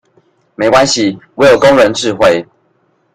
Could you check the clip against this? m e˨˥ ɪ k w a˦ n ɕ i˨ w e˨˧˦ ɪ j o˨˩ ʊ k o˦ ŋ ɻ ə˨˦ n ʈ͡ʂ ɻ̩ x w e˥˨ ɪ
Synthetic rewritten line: m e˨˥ ɪ k w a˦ n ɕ i˨ w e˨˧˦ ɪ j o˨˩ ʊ k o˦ ŋ ɻ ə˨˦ n ʈ͡ʂ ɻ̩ x w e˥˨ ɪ

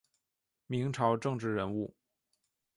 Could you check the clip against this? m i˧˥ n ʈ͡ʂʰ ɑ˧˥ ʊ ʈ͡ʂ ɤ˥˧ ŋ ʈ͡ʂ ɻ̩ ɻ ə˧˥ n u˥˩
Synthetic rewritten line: m i˧˥ ŋ ʈ͡ʂʰ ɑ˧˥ ʊ ʈ͡ʂ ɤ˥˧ ŋ ʈ͡ʂ ɻ̩ ɻ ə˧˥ n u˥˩

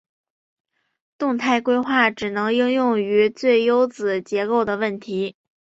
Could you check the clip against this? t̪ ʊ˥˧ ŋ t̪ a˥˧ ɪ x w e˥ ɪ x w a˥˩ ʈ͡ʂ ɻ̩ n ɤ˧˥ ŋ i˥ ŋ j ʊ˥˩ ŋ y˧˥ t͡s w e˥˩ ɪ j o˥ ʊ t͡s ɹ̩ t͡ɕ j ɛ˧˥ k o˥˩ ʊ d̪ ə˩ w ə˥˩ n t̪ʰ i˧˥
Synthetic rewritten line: t̪ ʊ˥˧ ŋ t̪ʰ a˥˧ ɪ k w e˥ ɪ x w a˥˩ ʈ͡ʂ ɻ̩ n ɤ˧˥ ŋ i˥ ŋ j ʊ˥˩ ŋ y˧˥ t͡s w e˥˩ ɪ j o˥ ʊ t͡s ɹ̩ t͡ɕ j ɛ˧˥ k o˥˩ ʊ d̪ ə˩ w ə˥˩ n t̪ʰ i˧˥

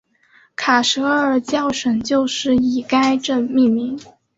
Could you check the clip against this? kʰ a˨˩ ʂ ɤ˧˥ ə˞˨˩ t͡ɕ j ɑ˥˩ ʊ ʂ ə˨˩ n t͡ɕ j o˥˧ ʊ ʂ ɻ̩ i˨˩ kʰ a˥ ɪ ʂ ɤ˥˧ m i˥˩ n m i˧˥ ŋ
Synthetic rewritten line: kʰ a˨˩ ʂ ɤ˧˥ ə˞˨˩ t͡ɕ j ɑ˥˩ ʊ ʂ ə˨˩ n t͡ɕ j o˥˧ ʊ ʂ ɻ̩ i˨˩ k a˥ ɪ ʈ͡ʂ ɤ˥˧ m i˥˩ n m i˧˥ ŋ

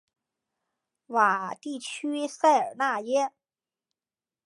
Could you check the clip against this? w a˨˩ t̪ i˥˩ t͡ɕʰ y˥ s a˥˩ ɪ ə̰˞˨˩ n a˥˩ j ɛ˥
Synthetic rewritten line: w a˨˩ t̪ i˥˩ t͡ɕʰ y˥ s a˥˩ ɪ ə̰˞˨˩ n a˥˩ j ɛ˥

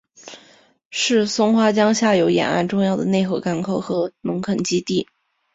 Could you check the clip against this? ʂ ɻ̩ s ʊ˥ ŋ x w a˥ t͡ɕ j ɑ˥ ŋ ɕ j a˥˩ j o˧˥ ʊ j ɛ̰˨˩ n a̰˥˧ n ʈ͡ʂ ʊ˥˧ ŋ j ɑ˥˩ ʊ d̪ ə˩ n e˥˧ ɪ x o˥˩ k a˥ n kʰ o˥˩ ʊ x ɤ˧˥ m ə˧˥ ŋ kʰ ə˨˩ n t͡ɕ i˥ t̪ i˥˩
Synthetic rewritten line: ʂ ɻ̩ s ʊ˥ ŋ x w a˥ t͡ɕ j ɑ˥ ŋ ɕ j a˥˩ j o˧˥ ʊ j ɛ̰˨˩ n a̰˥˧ n ʈ͡ʂ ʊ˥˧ ŋ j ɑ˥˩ ʊ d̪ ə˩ n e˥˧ ɪ x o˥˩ k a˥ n kʰ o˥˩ ʊ x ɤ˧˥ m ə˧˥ ŋ kʰ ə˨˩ n t͡ɕ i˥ t̪ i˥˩

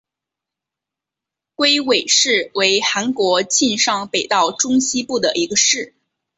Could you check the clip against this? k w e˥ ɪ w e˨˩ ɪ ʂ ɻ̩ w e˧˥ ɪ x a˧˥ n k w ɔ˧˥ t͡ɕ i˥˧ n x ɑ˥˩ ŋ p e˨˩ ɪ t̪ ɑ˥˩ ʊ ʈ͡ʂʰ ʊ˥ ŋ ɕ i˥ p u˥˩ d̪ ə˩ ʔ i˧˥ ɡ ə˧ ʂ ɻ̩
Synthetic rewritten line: k w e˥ ɪ w e˨˩ ɪ ʂ ɻ̩ w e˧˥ ɪ x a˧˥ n k w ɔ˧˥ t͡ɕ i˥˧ n ʂ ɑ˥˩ ŋ p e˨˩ ɪ t̪ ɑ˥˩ ʊ ʈ͡ʂ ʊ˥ ŋ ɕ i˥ p u˥˩ d̪ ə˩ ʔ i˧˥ ɡ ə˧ ʂ ɻ̩

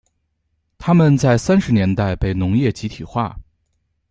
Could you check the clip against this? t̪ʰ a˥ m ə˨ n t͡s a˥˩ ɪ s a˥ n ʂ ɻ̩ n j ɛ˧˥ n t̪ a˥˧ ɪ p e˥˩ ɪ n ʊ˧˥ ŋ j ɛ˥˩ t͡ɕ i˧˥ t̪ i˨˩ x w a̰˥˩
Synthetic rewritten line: t̪ʰ a˥ m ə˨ n t͡s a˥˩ ɪ s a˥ n ʂ ɻ̩ n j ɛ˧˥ n t̪ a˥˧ ɪ p e˥˩ ɪ n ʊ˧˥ ŋ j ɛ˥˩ t͡ɕ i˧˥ t̪ʰ i˨˩ x w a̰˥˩

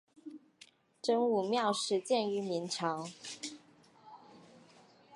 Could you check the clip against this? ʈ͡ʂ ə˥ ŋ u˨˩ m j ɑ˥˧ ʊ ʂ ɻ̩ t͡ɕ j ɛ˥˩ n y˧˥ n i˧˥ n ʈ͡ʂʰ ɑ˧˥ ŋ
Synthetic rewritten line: ʈ͡ʂ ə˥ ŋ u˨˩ m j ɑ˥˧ ʊ ʂ ɻ̩ t͡ɕ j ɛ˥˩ n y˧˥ m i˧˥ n ʈ͡ʂʰ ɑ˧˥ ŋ

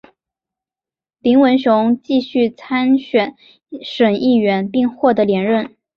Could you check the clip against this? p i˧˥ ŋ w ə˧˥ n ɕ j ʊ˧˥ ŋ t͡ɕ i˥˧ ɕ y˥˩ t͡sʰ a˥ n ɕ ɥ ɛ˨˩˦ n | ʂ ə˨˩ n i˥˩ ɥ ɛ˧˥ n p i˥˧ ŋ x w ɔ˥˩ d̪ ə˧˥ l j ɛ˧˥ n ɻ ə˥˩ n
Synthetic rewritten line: p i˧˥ ŋ w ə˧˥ n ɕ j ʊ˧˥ ŋ t͡ɕ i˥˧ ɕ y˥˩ t͡sʰ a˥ n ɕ ɥ ɛ˨˩˦ n | ʂ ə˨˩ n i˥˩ ɥ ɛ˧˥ n p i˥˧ ŋ x w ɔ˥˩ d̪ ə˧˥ l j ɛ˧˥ n ɻ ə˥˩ n

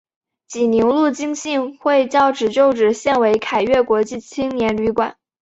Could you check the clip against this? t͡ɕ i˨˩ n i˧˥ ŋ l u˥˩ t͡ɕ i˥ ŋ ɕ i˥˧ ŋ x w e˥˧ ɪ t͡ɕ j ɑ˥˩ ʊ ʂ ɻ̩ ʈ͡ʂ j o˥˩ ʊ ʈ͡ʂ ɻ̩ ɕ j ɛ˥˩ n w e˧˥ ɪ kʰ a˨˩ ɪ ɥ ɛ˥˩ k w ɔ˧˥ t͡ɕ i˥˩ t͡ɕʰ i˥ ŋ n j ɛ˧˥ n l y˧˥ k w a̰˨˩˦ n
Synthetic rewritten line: t͡ɕ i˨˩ n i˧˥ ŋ l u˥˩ t͡ɕ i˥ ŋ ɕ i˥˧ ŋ x w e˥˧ ɪ t͡ɕ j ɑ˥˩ ʊ ʈ͡ʂ ɻ̩ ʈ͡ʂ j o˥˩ ʊ ʈ͡ʂ ɻ̩ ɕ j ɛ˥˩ n w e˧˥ ɪ kʰ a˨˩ ɪ ɥ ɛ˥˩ k w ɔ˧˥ t͡ɕ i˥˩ t͡ɕʰ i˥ ŋ n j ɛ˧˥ n l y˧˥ k w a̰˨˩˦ n

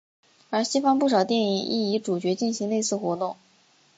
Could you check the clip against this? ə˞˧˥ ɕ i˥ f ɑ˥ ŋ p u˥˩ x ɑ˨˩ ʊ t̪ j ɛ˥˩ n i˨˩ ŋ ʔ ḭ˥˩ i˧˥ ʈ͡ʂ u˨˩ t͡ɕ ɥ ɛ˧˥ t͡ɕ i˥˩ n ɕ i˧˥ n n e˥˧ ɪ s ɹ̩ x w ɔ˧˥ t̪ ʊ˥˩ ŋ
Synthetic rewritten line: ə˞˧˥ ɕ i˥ f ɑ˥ ŋ p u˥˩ ʂ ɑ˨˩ ʊ t̪ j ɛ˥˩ n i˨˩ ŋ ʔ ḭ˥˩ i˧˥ ʈ͡ʂ u˨˩ t͡ɕ ɥ ɛ˧˥ t͡ɕ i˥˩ n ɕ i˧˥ ŋ n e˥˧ ɪ s ɹ̩ x w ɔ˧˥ t̪ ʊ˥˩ ŋ

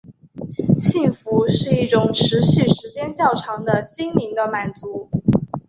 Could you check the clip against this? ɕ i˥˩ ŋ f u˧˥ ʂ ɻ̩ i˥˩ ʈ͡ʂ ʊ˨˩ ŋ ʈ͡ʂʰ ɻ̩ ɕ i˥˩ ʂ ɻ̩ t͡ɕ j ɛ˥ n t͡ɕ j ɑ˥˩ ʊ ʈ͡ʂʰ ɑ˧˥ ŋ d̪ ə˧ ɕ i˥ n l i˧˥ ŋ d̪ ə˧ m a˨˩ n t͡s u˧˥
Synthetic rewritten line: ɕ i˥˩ ŋ f u˧˥ ʂ ɻ̩ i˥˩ ʈ͡ʂ ʊ˨˩ ŋ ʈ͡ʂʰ ɻ̩ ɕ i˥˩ ʂ ɻ̩ t͡ɕ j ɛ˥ n t͡ɕ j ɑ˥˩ ʊ ʈ͡ʂʰ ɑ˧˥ ŋ d̪ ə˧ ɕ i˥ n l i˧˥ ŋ d̪ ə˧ m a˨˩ n t͡s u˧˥

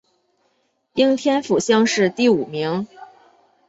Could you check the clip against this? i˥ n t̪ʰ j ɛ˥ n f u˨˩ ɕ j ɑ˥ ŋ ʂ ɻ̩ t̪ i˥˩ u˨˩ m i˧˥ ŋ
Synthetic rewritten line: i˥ ŋ t̪ʰ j ɛ˥ n f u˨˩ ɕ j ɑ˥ ŋ ʂ ɻ̩ t̪ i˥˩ u˨˩ m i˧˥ ŋ

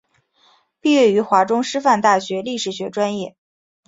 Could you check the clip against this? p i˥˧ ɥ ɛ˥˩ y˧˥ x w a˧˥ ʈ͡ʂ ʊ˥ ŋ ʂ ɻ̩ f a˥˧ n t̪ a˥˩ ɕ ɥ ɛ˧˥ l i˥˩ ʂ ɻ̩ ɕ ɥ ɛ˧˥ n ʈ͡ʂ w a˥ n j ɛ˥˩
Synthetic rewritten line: p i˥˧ ɥ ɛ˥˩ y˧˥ x w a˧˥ ʈ͡ʂ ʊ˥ ŋ ʂ ɻ̩ f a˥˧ n t̪ a˥˩ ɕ ɥ ɛ˧˥ l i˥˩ ʂ ɻ̩ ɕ ɥ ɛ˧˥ ʈ͡ʂ w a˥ n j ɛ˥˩

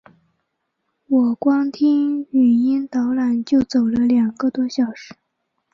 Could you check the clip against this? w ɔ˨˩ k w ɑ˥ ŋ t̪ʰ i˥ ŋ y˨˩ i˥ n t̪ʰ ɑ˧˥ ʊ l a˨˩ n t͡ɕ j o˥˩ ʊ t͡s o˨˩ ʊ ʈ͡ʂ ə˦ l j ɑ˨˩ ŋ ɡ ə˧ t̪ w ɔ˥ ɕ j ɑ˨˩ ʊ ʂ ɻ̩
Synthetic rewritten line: w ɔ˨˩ k w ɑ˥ ŋ t̪ʰ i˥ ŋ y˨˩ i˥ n t̪ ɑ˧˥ ʊ l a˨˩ n t͡ɕ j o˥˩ ʊ t͡s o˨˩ ʊ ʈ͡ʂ ə˦ l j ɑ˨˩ ŋ ɡ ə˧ t̪ w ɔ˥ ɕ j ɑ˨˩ ʊ ʂ ɻ̩

